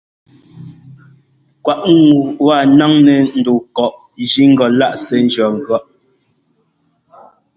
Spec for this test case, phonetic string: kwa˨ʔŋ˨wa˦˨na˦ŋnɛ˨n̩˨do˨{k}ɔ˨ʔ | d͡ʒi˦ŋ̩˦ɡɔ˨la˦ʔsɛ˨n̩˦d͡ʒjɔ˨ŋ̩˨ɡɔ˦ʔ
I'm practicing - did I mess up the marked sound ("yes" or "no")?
no